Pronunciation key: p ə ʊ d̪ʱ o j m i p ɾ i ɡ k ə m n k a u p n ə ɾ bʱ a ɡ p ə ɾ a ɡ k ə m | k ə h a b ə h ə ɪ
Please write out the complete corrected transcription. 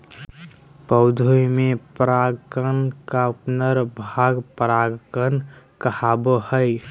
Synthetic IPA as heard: p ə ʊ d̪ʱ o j m e p ɾ a ɡ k ə n k a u p n ə ɾ bʱ a ɡ p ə ɾ a ɡ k ə n | k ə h a b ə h ə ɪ